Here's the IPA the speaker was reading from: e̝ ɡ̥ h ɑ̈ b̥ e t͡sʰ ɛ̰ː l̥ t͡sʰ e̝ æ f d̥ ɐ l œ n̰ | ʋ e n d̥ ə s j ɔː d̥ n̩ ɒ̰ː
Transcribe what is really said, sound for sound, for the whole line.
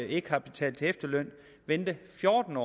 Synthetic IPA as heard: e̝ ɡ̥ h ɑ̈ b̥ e t͡sʰ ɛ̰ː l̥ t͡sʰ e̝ e f d̥ ɐ l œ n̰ | ʋ e n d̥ ə f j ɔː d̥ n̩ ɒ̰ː